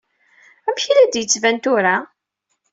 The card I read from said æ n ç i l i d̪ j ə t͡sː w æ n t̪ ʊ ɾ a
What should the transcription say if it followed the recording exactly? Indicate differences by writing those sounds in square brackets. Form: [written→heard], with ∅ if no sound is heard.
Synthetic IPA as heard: æ [n→m] ç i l [i→æ] d̪ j ə t͡sː [w→v] æ n t̪ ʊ ɾ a